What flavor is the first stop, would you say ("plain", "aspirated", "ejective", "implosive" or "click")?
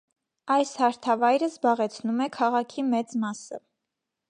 aspirated